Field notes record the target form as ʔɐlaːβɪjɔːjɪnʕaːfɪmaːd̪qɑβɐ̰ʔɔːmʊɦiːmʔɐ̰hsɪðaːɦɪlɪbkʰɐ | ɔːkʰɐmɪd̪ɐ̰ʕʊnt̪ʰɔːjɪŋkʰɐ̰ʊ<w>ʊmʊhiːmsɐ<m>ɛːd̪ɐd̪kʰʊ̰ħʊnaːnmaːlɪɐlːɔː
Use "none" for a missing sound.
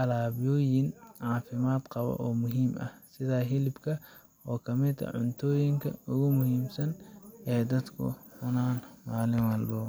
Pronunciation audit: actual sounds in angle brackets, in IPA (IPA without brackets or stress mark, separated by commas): ɣ, n